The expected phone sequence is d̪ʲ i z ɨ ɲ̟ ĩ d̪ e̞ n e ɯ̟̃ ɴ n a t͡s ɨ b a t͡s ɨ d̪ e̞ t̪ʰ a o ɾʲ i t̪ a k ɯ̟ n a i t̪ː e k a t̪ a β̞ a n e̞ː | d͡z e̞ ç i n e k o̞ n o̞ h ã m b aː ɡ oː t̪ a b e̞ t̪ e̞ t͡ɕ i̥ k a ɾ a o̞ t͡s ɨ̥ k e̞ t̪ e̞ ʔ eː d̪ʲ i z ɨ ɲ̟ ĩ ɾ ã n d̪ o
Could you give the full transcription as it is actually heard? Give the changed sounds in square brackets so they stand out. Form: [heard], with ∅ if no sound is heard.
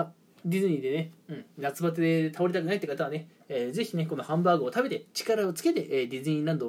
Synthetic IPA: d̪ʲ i z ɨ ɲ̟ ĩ d̪ e̞ n e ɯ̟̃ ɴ n a t͡s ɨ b a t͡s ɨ d̪ e̞ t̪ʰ a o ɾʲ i t̪ a k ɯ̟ n a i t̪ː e k a t̪ a β̞ a n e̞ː | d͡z e̞ ç i n e k o̞ n o̞ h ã m b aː ɡ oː t̪ a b e̞ t̪ e̞ t͡ɕ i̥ k a ɾ a o̞ t͡s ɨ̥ k e̞ t̪ e̞ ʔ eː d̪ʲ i z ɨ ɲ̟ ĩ ɾ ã n d̪ o